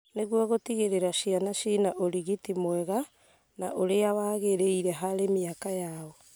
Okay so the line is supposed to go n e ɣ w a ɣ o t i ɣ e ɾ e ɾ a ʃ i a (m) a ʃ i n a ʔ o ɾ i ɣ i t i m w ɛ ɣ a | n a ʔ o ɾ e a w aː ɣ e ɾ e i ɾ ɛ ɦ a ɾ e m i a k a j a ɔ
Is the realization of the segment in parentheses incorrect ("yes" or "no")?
yes